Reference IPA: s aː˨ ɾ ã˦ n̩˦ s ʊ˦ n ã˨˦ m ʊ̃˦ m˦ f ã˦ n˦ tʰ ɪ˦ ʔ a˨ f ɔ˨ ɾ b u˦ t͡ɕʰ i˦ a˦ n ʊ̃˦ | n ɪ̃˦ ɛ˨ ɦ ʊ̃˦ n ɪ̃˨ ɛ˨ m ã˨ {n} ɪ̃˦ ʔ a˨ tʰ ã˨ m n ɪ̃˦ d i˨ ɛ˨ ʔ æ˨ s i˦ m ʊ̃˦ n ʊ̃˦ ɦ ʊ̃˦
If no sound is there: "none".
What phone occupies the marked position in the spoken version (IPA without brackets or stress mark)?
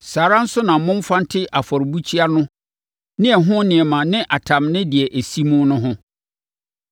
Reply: n